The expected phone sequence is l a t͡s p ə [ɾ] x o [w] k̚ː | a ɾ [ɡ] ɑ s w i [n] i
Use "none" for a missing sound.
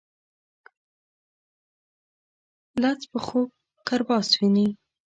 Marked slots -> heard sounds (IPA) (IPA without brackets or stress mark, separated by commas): none, none, b, n